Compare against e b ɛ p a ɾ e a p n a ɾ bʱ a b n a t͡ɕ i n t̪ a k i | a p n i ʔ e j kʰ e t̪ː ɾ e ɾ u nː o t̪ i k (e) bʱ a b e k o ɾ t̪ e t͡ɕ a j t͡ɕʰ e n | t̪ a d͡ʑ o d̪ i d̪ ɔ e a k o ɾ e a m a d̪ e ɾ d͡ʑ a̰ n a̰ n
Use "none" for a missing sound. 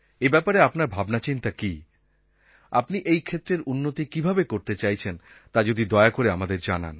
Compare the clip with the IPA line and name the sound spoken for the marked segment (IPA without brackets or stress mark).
i